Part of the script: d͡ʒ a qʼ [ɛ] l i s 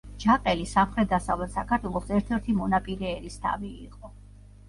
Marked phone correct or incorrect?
correct